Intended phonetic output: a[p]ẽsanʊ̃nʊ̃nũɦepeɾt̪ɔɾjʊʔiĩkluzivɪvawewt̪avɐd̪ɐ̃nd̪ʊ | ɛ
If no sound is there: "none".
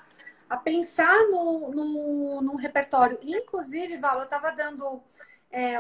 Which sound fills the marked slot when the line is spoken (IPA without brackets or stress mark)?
p